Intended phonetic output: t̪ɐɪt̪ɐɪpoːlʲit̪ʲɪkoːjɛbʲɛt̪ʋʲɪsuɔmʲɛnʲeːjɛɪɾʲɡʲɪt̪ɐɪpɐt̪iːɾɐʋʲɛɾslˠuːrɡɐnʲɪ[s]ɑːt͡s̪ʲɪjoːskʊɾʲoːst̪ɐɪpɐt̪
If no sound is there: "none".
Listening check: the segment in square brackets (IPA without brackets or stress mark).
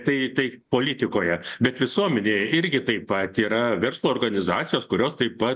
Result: z